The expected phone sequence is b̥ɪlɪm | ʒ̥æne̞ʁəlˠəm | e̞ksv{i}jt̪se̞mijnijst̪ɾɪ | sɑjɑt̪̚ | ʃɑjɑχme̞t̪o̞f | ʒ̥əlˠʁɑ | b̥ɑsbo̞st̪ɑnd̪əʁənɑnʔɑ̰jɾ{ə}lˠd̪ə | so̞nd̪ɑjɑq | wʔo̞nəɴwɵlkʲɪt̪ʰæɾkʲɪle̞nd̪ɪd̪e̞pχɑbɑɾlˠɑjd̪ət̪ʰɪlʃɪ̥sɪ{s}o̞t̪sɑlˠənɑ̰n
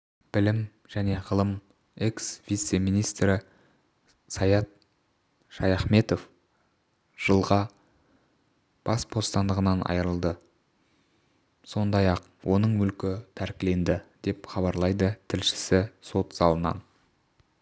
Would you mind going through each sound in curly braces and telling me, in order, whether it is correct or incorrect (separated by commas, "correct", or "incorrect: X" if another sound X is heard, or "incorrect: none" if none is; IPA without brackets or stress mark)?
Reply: correct, correct, correct